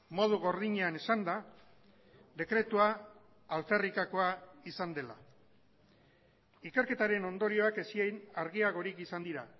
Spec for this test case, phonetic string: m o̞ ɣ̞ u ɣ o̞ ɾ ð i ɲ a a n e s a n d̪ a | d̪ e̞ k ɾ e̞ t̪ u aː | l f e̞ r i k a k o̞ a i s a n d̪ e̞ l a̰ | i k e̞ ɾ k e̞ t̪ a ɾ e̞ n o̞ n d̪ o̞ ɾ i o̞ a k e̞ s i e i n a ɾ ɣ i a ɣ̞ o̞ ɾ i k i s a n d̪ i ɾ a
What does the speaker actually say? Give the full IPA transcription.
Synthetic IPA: m o̞ ð̞ u ɣ o̞ ɾ ð i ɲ e a n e s a n d̪ a | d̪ e̞ k ɾ e̞ t̪ u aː | l f e̞ r i k a k o̞ a i s a n d̪ e̞ l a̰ | i k e̞ ɾ k e̞ t̪ a ɾ e̞ n o̞ n d̪ o̞ ɾ i o̞ a k e̞ s i e j n a ɾ ɣ i a ɣ̞ o̞ ɾ i k i s a n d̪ i ɾ a